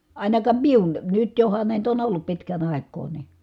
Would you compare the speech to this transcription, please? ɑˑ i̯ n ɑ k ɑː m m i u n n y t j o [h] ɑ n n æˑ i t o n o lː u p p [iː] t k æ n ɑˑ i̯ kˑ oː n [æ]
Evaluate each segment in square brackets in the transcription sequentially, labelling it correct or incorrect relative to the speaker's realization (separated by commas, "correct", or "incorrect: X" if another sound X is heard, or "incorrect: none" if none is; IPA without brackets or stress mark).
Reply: correct, incorrect: i, incorrect: i